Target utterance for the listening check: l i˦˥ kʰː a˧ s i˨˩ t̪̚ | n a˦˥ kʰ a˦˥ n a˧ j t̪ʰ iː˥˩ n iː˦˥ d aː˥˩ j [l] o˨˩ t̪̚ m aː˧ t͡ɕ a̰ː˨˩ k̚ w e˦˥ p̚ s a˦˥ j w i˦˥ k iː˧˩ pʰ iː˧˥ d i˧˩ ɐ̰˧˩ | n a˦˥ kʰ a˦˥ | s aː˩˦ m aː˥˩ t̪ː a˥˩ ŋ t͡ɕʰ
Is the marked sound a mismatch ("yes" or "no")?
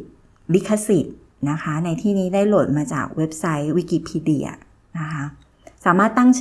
no